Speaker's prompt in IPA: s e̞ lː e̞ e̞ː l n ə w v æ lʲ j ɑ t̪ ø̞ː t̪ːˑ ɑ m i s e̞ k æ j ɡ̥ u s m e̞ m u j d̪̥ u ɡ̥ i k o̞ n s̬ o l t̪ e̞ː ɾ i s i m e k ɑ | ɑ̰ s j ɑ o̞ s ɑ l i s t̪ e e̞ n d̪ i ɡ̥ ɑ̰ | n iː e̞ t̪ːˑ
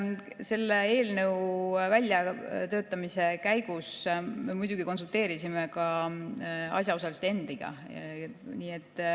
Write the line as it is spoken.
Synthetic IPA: s e̞ lː e̞ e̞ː l n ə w v æ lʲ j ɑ t̪ ø̞ː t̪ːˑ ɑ m i s e̞ k æ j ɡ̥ u s m e̞ m u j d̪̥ u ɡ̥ i k o̞ n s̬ u l t̪ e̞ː ɾ i s i m e k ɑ | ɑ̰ s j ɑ o̞ s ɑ l i s t̪ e e̞ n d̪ i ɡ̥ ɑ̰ | n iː e̞ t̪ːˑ